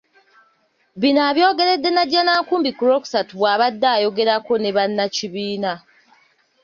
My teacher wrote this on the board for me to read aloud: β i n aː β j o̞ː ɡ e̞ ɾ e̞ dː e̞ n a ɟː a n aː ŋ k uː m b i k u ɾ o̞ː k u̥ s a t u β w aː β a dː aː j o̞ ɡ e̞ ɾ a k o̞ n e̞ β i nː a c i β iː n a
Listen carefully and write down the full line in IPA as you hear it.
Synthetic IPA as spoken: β i n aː β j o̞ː ɡ e̞ ɾ e̞ dː e̞ n a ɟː a n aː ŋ k uː m b i k u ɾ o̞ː k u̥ s a t u β w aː β a dː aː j o̞ ɡ e̞ ɾ a k o̞ n e̞ β a nː a c i β iː n a